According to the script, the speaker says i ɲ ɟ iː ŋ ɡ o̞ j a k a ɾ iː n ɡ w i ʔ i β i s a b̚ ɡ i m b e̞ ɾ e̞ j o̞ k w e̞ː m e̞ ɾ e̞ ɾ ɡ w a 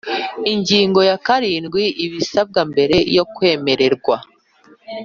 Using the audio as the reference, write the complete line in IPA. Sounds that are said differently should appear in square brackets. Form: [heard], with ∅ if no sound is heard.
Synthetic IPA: i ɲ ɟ iː ŋ ɡ o̞ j a k a ɾ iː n ɡ w i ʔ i β i s a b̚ ɡ [a] m b e̞ ɾ e̞ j o̞ k w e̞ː m e̞ ɾ e̞ ɾ ɡ w a